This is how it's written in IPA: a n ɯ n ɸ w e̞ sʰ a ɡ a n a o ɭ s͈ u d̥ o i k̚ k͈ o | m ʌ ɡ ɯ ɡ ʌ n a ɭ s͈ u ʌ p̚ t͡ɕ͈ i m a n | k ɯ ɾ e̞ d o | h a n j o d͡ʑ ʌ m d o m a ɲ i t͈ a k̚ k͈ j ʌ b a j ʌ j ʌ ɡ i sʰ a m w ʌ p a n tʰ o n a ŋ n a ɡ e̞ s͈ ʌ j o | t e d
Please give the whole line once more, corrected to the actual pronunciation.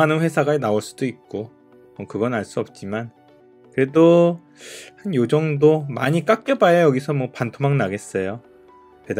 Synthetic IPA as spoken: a n ɯ n ɸ w e̞ sʰ a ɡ a n a o ɭ s͈ u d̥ o i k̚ k͈ o | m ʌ k ɯ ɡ ʌ n a ɭ s͈ u ʌ p̚ t͡ɕ͈ i m a n | k ɯ ɾ e̞ d o | h a n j o d͡ʑ ʌ ŋ d o m a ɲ i k͈ a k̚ k͈ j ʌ b a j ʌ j ʌ ɡ i sʰ ʌ m w ʌ p a n tʰ o m a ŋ n a ɡ e̞ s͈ ʌ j o | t e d